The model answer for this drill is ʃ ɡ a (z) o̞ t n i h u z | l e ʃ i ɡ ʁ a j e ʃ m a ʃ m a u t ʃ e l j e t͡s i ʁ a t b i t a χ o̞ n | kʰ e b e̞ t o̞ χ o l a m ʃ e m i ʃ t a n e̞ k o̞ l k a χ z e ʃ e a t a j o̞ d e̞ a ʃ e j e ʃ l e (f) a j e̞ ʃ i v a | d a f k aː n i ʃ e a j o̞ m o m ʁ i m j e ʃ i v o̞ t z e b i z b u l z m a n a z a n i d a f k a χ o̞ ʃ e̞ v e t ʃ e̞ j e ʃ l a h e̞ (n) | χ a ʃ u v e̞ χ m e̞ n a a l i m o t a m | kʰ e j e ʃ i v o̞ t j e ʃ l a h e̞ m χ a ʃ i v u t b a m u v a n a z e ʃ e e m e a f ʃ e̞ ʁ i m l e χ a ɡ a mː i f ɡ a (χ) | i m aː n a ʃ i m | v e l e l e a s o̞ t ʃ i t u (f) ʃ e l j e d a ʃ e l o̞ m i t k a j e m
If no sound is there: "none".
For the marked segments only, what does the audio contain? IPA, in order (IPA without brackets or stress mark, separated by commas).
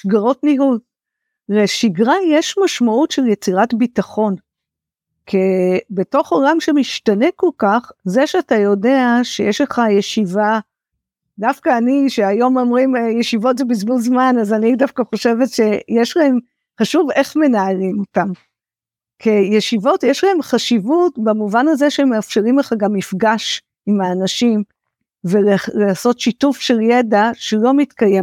ʁ, χ, m, ʃ, f